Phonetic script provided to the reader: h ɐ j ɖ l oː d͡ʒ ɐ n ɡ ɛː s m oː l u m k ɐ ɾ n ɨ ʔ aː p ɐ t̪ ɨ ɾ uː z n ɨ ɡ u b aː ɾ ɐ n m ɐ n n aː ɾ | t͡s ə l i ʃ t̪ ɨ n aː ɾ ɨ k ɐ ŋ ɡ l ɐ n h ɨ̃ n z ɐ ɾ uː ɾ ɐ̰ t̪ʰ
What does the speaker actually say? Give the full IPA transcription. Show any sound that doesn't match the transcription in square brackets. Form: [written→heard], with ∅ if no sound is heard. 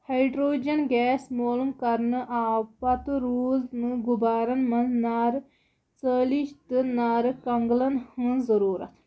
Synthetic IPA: h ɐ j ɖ [l→ɾ] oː d͡ʒ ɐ n ɡ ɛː s m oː l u m k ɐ ɾ n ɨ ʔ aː p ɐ t̪ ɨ ɾ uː z n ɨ ɡ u b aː ɾ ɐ n m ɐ n n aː ɾ | t͡s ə l i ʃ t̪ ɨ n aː ɾ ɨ k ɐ ŋ ɡ l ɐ n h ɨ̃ n z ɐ ɾ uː ɾ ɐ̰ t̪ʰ